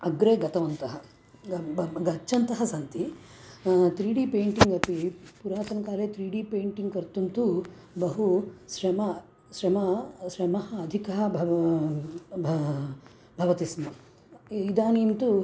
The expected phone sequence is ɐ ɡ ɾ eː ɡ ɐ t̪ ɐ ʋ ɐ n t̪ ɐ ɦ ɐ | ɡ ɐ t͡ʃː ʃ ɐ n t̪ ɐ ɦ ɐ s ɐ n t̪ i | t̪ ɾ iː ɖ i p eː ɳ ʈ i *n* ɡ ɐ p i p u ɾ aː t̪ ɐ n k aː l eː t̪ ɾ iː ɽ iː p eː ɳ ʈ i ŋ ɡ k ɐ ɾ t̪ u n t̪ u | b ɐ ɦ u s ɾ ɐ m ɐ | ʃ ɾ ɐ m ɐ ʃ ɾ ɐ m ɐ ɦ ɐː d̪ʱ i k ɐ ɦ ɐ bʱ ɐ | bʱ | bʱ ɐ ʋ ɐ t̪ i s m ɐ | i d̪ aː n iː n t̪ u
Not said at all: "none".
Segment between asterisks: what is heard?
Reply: ŋ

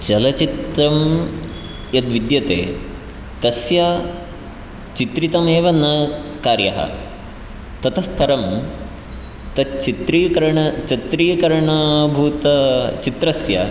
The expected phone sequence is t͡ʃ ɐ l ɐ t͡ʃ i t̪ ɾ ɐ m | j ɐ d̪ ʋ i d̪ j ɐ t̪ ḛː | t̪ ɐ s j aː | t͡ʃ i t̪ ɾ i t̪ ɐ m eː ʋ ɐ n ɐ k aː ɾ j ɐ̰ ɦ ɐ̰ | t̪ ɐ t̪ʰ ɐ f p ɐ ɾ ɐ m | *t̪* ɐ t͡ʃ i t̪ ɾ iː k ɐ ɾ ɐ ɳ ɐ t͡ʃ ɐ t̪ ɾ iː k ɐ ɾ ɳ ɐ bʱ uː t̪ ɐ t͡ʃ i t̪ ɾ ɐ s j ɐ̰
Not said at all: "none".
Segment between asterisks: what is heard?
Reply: t̪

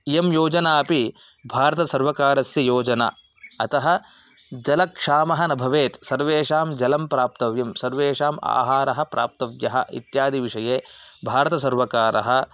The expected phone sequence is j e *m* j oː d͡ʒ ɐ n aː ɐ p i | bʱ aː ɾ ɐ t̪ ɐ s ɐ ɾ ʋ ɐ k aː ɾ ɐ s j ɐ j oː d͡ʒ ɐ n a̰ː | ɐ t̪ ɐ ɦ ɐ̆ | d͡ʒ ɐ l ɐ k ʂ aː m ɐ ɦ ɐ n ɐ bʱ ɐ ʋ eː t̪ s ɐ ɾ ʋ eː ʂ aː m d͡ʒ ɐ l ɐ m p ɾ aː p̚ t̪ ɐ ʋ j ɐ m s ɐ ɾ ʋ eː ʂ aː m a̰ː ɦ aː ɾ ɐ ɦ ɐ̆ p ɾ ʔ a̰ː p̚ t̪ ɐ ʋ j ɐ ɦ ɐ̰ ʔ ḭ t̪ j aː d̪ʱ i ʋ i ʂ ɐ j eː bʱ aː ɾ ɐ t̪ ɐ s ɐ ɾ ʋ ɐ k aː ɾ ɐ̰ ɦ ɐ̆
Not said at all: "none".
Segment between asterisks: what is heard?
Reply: m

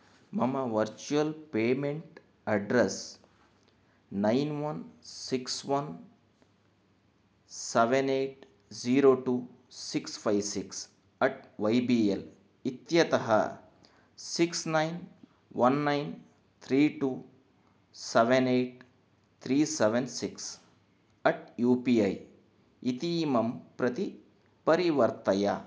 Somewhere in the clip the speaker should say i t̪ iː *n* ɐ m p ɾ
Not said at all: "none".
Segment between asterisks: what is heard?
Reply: m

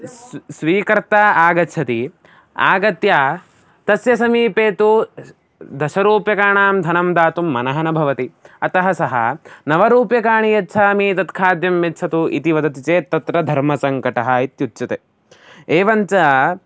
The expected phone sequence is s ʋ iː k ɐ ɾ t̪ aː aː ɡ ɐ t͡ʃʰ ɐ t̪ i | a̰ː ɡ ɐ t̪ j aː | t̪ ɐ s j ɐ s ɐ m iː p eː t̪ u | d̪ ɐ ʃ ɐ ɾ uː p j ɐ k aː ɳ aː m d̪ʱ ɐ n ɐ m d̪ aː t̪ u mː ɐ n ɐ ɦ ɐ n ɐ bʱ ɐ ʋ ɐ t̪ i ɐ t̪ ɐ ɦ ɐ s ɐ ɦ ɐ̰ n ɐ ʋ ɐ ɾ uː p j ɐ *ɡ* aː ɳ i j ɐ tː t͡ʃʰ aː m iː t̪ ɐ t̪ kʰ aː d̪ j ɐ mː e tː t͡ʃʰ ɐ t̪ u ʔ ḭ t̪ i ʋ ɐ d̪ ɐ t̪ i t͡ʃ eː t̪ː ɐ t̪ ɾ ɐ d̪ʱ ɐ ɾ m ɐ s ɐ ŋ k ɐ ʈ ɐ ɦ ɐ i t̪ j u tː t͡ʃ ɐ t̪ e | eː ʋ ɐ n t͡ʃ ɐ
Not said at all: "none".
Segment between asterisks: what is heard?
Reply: k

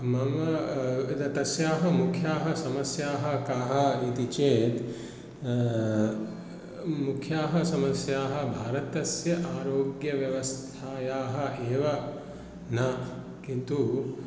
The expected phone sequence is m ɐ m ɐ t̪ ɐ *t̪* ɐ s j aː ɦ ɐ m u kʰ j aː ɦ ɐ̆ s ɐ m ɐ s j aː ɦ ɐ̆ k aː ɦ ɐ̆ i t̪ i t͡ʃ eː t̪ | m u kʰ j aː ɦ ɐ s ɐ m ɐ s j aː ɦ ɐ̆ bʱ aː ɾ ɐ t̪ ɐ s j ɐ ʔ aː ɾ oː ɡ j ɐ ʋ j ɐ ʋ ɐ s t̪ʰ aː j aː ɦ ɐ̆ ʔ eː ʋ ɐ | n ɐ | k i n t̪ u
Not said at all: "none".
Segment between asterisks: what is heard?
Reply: t̪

